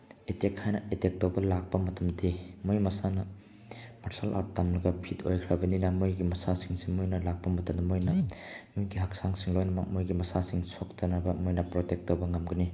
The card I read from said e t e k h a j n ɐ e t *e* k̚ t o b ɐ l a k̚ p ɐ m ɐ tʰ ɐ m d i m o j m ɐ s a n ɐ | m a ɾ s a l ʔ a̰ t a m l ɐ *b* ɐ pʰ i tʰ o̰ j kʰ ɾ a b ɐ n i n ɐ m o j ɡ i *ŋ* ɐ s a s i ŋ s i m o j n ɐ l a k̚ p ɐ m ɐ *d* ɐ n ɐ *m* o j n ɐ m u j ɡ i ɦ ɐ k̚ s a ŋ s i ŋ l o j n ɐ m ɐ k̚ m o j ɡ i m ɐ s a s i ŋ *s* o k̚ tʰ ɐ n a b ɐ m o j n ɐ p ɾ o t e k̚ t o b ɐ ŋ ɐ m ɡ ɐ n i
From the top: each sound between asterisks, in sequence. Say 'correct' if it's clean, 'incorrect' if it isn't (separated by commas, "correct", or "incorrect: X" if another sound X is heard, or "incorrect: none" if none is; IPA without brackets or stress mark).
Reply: correct, incorrect: ɡ, incorrect: m, incorrect: t, correct, correct